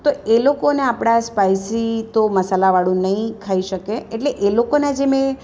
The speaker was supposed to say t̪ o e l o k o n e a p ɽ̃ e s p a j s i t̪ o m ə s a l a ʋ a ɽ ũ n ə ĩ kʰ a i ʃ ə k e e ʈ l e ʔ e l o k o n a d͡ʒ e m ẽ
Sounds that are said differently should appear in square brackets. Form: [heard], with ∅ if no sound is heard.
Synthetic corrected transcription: t̪ o e l o k o n e a p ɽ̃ [a] s p a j s i t̪ o m ə s a l a ʋ a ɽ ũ n ə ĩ kʰ a i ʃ ə k e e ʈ l e ʔ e l o k o n a d͡ʒ e m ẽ

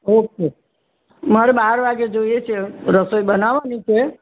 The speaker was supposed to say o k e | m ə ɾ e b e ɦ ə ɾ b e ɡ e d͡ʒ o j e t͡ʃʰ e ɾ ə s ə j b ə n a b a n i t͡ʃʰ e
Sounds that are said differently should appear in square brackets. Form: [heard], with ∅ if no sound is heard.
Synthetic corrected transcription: o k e | m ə ɾ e b [a] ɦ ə ɾ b [a] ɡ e d͡ʒ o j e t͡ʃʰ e ɾ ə s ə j b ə n a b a n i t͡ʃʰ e

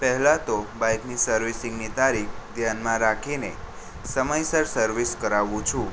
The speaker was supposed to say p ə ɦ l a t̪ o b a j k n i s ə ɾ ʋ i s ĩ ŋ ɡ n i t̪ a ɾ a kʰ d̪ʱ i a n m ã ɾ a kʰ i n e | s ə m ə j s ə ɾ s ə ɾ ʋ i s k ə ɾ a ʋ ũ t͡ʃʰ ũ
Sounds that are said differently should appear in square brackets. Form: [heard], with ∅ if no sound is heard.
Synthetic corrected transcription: p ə ɦ l a t̪ o b a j k n i s ə ɾ ʋ i s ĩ ŋ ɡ n i t̪ a ɾ [i] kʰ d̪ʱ [j] a n m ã ɾ a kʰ i n e | s ə m ə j s ə ɾ s ə ɾ ʋ i s k ə ɾ a ʋ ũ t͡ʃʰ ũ

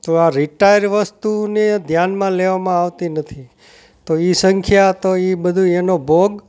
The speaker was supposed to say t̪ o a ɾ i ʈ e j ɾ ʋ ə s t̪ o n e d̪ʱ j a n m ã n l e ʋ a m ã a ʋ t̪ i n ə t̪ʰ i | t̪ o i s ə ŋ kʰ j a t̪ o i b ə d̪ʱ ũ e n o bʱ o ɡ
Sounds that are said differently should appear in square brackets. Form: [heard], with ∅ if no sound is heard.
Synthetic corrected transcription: t̪ o a ɾ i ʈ [a] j ɾ ʋ ə s t̪ [u] n e d̪ʱ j a n m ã [∅] l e ʋ a m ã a ʋ t̪ i n ə t̪ʰ i | t̪ o i s ə ŋ kʰ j a t̪ o i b ə d̪ʱ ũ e n o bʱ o ɡ

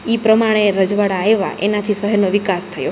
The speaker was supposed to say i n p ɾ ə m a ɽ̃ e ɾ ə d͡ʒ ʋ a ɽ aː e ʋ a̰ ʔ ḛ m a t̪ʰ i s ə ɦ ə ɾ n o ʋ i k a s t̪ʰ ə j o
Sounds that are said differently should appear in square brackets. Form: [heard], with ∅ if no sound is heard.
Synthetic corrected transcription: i [∅] p ɾ ə m a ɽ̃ e ɾ ə d͡ʒ ʋ a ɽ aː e ʋ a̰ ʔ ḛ [n] a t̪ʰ i s ə ɦ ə ɾ n o ʋ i k a s t̪ʰ ə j o

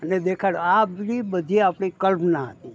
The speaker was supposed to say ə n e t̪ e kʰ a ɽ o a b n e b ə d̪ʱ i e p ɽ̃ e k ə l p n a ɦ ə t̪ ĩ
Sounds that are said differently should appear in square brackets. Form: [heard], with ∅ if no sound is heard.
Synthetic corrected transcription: ə n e [d̪] e kʰ a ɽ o a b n [i] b ə d̪ʱ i [a] p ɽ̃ [i] k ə l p n a ɦ ə t̪ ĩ

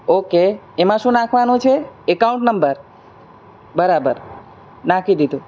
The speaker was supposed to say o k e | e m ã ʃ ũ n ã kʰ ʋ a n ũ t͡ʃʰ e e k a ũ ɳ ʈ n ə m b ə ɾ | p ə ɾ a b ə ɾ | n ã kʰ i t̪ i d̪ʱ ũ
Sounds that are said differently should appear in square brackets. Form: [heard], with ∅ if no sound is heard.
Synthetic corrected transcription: o k e | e m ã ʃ ũ n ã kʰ ʋ a n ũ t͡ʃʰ e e k a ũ ɳ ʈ n ə m b ə ɾ | [b] ə ɾ a b ə ɾ | n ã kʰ i [d̪] i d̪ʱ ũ

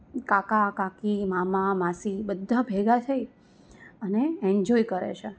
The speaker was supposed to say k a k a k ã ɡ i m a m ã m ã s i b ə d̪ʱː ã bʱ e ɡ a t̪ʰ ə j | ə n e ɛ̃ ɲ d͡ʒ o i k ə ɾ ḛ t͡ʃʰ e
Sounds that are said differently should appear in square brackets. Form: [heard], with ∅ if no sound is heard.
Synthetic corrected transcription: k a k a k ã [k] i m a m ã m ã s i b ə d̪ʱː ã bʱ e ɡ a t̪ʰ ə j | ə n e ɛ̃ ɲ d͡ʒ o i k ə ɾ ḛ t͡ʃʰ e

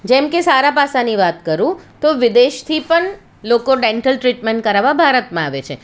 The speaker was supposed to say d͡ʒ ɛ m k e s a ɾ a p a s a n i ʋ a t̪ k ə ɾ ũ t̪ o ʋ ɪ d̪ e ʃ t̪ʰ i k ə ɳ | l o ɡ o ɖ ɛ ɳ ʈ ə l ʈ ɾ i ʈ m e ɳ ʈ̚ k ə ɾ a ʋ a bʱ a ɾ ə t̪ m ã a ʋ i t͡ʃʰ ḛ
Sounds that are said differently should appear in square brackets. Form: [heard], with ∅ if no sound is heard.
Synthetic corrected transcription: d͡ʒ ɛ m k e s a ɾ a p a s a n i ʋ a t̪ k ə ɾ ũ t̪ o ʋ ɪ d̪ e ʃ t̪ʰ i [p] ə ɳ | l o [k] o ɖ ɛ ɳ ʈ ə l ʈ ɾ i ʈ m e ɳ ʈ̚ k ə ɾ a ʋ a bʱ a ɾ ə t̪ m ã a ʋ [e] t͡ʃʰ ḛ

